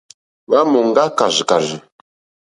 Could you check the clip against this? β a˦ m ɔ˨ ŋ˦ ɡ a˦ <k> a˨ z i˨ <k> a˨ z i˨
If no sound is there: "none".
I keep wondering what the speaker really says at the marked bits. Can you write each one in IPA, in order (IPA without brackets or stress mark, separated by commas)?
k, k